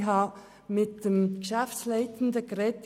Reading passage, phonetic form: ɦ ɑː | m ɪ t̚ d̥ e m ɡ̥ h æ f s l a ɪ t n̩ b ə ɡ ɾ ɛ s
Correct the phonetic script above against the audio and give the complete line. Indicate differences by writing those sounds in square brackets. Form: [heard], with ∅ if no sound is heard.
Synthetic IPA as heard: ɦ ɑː | m ɪ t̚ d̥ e m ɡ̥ [ʃ] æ f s l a ɪ t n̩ [d] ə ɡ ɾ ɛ [t]